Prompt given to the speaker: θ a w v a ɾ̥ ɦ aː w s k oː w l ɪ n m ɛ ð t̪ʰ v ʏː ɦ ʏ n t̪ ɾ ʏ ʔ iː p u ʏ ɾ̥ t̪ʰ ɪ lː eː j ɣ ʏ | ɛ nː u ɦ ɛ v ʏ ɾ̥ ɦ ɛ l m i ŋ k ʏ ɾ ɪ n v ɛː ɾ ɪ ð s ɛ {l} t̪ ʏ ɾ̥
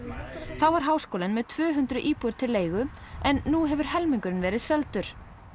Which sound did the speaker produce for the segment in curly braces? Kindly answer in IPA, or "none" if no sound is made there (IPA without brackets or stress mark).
l